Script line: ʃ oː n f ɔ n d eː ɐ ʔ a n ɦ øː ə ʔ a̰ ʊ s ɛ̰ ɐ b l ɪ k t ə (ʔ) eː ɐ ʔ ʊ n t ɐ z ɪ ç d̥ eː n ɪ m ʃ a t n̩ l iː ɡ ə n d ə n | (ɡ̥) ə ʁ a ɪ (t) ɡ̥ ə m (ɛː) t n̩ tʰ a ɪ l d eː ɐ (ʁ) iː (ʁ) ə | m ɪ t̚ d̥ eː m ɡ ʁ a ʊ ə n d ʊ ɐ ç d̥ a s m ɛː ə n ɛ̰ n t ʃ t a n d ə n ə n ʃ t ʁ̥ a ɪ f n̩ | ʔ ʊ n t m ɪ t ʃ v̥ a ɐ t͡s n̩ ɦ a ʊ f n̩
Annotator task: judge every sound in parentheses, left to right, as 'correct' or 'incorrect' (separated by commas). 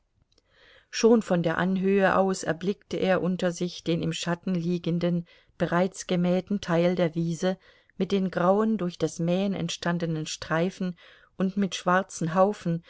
correct, incorrect, incorrect, correct, incorrect, incorrect